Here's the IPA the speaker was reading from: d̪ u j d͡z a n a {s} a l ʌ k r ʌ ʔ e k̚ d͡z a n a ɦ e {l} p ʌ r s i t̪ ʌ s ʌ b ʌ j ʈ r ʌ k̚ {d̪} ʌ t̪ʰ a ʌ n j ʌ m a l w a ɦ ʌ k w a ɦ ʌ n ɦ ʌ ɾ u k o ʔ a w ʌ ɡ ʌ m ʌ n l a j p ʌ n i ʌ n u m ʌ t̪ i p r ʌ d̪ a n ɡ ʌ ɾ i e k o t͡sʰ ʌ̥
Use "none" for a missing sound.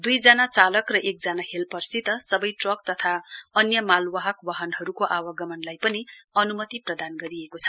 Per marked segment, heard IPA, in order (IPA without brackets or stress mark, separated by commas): t͡s, l, t̪